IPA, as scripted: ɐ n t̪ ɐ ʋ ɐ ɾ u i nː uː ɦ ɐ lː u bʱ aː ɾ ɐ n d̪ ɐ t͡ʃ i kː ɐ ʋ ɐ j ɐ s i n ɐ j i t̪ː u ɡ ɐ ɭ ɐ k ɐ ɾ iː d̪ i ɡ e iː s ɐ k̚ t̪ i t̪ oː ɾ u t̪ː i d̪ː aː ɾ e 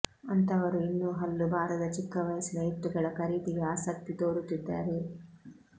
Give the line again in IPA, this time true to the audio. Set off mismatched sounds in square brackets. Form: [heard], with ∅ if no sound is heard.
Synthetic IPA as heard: ɐ n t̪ ɐ ʋ ɐ ɾ u i nː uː ɦ ɐ lː u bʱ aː ɾ ɐ [∅] d̪ ɐ t͡ʃ i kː ɐ ʋ ɐ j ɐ s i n ɐ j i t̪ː u ɡ ɐ ɭ ɐ k ɐ ɾ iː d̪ i ɡ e [aː] s ɐ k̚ t̪ i t̪ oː ɾ u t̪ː i d̪ː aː ɾ e